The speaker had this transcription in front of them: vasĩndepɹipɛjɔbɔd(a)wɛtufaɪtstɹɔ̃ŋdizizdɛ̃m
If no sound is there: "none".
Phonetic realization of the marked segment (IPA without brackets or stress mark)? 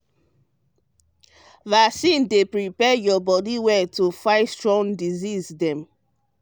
i